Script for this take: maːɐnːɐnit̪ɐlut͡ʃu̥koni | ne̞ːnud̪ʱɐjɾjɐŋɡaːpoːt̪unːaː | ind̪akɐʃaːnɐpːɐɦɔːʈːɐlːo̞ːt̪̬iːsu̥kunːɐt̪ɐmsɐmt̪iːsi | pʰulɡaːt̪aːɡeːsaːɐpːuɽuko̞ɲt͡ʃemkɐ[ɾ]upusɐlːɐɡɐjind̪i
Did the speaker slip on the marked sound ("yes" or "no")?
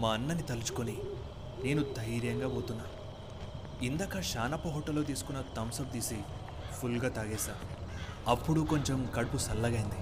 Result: yes